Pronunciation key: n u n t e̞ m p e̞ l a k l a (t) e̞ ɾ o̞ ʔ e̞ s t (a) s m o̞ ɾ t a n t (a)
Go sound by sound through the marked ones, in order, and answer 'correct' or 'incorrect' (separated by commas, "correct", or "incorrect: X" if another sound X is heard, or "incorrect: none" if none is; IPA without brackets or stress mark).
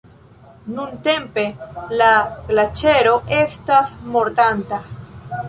incorrect: t͡ʃ, correct, correct